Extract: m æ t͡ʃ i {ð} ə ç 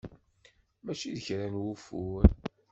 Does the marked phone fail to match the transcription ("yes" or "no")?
no